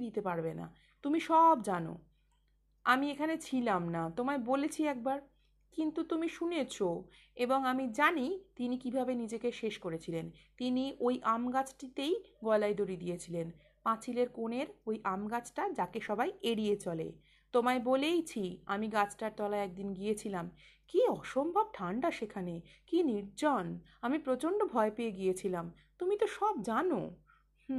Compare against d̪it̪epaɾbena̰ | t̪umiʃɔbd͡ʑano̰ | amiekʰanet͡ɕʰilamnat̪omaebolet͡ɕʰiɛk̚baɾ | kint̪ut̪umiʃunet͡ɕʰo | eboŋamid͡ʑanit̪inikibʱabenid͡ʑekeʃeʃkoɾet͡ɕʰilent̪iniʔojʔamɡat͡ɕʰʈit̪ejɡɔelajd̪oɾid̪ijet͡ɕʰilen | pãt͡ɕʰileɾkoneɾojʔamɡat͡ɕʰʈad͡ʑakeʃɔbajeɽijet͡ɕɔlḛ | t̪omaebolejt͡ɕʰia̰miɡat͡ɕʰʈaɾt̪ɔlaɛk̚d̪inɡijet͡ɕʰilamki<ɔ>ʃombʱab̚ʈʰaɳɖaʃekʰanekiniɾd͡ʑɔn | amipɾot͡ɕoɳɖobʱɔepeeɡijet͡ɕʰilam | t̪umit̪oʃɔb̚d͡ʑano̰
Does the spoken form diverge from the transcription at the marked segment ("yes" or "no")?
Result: no